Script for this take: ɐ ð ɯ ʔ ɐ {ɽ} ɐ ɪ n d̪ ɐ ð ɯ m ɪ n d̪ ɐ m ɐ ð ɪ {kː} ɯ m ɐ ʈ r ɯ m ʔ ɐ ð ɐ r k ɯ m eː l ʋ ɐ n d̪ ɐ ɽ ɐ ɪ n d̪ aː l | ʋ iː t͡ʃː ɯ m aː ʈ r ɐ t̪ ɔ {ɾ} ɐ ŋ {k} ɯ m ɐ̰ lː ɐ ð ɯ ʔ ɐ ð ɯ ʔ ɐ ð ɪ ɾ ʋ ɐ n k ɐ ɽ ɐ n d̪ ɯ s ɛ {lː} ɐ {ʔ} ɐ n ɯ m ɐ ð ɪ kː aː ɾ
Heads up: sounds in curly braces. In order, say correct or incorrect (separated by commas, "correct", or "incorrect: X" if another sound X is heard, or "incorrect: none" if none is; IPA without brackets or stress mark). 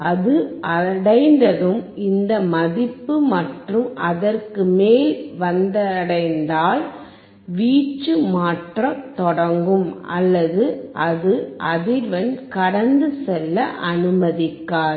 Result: correct, incorrect: pː, incorrect: ɽ, incorrect: ɡ, correct, correct